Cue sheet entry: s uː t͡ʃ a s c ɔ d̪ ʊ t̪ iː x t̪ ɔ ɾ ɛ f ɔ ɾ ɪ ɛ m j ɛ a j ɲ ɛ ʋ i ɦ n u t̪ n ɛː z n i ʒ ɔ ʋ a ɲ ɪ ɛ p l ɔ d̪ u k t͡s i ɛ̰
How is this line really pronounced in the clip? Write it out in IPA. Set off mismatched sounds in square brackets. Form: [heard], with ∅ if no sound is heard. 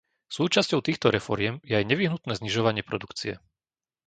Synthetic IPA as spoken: s uː t͡ʃ a s c ɔ [∅] ʊ t̪ iː x t̪ ɔ ɾ ɛ f ɔ ɾ ɪ ɛ m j ɛ a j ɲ ɛ ʋ i ɦ n u t̪ n ɛː z [ɲ] i ʒ ɔ ʋ a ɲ ɪ ɛ p [ɾ] ɔ d̪ u k t͡s i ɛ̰